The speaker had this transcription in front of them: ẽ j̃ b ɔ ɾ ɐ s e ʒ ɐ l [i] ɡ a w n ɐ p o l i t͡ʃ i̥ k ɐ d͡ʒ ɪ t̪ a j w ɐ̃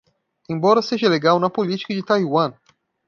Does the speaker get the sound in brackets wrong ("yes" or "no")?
yes